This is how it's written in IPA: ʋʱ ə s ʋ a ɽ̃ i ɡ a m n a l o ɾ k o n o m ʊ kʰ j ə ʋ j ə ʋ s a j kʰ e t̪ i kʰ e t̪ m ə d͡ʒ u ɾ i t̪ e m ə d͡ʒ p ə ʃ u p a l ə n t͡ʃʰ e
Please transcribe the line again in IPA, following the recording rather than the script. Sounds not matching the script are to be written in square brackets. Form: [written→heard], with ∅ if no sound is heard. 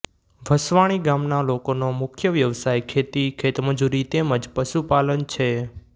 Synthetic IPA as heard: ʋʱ ə s ʋ a ɽ̃ i ɡ a m n a l o [ɾ→∅] k o n o m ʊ kʰ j ə ʋ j ə ʋ s a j kʰ e t̪ i kʰ e t̪ m ə d͡ʒ u ɾ i t̪ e m ə d͡ʒ p ə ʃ u p a l ə n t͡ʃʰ e